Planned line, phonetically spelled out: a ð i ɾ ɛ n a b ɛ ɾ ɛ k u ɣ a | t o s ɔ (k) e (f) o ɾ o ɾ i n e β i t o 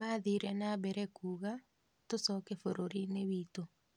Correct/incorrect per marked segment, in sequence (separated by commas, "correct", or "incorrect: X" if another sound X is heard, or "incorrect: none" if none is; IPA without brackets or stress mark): correct, correct